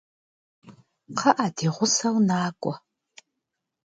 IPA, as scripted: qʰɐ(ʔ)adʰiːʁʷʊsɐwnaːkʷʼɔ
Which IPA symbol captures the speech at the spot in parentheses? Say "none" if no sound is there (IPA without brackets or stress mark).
ʔ